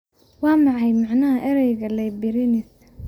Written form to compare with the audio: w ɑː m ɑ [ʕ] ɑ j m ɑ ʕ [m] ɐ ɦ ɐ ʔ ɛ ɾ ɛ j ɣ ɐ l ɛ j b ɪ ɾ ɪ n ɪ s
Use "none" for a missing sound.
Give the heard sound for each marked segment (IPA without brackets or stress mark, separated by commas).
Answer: ʕ, n